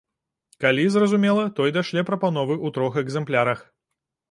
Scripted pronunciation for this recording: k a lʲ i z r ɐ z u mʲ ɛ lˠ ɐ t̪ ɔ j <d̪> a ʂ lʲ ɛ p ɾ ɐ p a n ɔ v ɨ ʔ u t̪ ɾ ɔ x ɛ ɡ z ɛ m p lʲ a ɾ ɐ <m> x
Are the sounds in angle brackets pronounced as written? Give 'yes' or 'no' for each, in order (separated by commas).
yes, no